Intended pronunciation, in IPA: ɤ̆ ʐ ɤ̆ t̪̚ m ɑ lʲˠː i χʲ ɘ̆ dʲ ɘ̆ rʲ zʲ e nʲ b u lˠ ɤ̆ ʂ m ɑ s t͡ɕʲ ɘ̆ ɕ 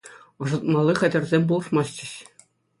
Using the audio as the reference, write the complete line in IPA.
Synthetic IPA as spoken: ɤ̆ ʐ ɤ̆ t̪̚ m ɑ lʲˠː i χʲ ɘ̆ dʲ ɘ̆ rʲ zʲ e mʲ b u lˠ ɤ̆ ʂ m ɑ s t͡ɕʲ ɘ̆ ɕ